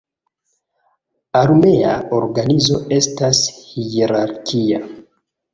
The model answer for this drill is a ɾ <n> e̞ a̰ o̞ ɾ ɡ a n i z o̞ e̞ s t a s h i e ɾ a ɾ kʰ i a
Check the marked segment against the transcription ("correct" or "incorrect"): incorrect